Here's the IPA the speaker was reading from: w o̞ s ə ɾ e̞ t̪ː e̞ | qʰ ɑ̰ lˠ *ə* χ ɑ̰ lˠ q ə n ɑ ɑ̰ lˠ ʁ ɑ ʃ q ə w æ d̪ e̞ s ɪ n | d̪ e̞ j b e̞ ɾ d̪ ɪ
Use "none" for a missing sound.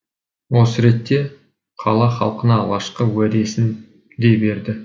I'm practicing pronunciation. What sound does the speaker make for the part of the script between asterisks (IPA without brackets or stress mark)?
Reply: ɑ